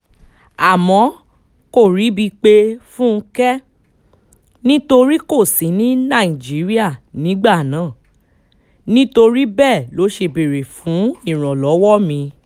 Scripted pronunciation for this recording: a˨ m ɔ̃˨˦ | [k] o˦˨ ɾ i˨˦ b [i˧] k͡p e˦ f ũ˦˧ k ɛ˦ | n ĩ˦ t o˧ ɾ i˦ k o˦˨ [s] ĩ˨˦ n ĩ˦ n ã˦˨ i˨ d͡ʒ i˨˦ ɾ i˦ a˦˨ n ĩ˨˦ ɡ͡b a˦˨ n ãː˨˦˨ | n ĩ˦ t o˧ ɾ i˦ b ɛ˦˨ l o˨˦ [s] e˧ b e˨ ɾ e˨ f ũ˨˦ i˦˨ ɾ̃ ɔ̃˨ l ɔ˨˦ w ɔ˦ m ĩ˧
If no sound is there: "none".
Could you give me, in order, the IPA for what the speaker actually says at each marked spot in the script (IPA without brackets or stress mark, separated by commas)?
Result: k, i˧, s, ʃ